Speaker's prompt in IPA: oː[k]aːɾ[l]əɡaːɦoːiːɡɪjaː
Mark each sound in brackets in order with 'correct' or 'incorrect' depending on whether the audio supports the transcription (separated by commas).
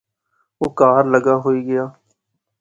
correct, correct